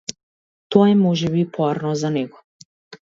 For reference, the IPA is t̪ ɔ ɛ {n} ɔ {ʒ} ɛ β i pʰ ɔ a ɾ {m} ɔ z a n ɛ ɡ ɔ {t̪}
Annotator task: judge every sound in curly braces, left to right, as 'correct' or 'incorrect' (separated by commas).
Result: incorrect, correct, incorrect, incorrect